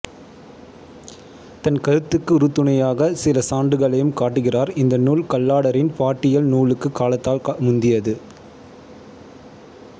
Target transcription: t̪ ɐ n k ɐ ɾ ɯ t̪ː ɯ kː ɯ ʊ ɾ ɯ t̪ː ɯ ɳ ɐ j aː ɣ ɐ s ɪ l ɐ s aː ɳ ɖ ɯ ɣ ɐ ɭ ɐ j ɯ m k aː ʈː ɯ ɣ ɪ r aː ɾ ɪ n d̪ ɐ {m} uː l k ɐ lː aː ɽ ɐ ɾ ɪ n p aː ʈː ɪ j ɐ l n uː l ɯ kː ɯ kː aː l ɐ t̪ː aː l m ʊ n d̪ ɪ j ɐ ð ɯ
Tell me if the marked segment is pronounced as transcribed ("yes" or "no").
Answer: no